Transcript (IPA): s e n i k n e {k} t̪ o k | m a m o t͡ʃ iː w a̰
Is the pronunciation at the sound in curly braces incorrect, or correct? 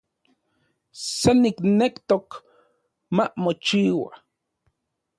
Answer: correct